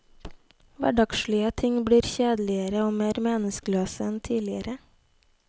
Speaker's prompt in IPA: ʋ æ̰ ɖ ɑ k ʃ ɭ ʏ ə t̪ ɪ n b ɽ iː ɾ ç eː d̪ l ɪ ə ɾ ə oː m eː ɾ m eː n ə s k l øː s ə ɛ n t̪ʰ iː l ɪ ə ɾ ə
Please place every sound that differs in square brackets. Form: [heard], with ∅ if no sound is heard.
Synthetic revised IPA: ʋ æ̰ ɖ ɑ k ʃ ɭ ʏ ə [t̪ʰ] ɪ [ŋ] b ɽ iː ɾ ç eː d̪ l ɪ ə ɾ ə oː m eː ɾ m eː n ə s k l øː s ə ɛ n t̪ʰ iː l ɪ ə ɾ ə